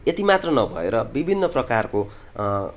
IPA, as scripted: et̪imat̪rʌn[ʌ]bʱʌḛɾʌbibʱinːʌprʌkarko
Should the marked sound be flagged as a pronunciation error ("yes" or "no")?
no